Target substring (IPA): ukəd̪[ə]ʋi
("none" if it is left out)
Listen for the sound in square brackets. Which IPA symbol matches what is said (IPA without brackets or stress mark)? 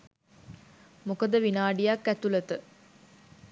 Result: ə